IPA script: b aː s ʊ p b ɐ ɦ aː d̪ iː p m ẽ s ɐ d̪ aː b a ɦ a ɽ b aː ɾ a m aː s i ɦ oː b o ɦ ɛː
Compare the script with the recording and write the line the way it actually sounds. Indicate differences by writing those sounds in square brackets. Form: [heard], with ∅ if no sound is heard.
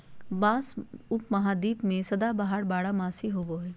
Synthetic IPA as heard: b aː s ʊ p [m] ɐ ɦ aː d̪ iː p m ẽ s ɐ d̪ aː b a ɦ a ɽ b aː [ɽ] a m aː s i ɦ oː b o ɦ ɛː